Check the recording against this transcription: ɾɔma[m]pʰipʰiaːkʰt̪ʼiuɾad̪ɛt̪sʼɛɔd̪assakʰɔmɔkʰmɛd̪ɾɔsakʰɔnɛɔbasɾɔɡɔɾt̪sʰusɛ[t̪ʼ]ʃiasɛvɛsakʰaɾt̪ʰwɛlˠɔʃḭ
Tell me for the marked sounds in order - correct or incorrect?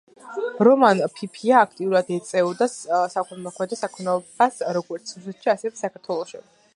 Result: incorrect, incorrect

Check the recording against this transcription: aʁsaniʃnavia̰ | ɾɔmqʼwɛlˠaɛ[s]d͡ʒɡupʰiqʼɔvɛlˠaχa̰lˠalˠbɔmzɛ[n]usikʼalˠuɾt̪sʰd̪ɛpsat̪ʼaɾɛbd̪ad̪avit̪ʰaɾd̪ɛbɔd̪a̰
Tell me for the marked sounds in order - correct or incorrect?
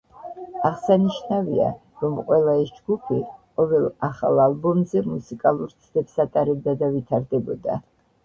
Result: correct, incorrect

